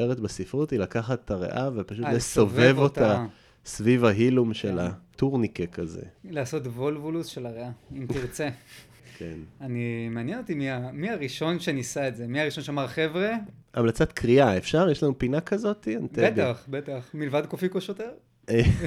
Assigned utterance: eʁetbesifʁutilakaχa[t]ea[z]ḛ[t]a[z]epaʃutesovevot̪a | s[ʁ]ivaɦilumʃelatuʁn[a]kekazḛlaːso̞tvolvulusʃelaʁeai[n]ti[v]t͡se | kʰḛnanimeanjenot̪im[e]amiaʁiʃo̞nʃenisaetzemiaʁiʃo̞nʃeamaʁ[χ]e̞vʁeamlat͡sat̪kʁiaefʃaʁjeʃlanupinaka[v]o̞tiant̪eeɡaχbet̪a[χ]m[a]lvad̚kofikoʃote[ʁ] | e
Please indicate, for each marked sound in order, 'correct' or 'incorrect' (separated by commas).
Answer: correct, incorrect, incorrect, incorrect, incorrect, incorrect, incorrect, incorrect, incorrect, correct, incorrect, correct, incorrect, correct